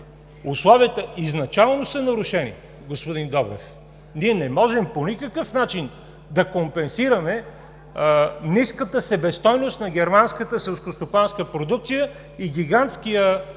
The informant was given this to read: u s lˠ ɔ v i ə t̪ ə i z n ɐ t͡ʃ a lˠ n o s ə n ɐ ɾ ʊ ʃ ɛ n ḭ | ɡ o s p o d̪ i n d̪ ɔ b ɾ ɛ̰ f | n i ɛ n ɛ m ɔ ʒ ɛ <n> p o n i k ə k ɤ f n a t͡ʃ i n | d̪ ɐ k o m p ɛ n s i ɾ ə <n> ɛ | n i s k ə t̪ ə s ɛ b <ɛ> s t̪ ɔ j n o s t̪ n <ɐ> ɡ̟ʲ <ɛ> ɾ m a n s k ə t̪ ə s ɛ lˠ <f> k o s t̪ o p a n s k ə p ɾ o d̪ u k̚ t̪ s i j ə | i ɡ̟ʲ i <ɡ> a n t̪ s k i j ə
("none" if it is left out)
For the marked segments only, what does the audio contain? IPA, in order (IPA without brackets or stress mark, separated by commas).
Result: m, m, ɛ, ɐ, ɛ, s, ɡ